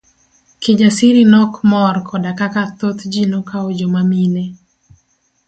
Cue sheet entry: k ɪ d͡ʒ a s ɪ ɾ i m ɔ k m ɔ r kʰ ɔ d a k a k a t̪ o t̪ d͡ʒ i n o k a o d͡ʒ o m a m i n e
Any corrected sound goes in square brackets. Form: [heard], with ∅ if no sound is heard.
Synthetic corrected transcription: k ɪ d͡ʒ a s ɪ ɾ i [n] ɔ k m ɔ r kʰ ɔ d a k a k a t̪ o t̪ d͡ʒ i n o k a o d͡ʒ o m a m i n e